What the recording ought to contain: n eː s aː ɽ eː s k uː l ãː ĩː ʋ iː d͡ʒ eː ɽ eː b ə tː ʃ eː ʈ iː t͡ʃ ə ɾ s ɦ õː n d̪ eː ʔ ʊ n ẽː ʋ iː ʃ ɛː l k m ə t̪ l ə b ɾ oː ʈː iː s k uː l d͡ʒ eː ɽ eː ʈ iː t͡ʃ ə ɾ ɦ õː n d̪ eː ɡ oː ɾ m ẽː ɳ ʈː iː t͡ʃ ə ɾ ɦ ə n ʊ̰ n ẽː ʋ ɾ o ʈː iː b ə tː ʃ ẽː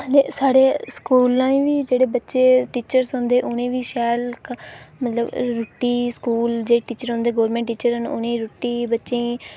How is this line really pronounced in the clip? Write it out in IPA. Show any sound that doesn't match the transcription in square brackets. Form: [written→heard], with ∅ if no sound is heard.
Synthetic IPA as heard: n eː s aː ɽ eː s k uː l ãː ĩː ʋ iː d͡ʒ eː ɽ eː b ə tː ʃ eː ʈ iː t͡ʃ ə ɾ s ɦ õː n d̪ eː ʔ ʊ n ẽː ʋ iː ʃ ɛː l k m ə t̪ l ə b ɾ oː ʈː iː s k uː l d͡ʒ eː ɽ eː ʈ iː t͡ʃ ə ɾ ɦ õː n d̪ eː ɡ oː ɾ m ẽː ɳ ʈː iː t͡ʃ ə ɾ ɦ ə n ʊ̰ n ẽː [ʋ→∅] ɾ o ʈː iː b ə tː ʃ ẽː